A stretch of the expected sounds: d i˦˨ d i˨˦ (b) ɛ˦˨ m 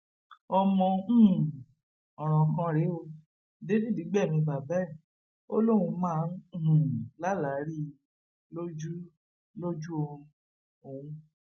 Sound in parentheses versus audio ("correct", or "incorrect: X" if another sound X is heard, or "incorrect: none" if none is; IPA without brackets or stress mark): incorrect: ɡ͡b